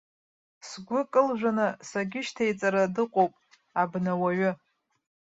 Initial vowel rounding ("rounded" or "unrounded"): rounded